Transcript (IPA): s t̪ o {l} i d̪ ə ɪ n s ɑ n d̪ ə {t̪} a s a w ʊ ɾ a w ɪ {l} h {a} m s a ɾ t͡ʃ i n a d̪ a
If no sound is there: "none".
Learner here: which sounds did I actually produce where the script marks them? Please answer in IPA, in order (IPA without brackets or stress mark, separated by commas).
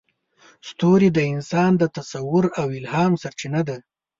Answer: ɾ, t̪, l, ɑ